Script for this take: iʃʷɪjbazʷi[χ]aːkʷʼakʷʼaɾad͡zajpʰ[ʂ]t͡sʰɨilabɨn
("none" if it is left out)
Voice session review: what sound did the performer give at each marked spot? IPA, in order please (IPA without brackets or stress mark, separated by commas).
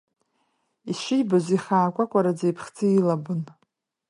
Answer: χ, χ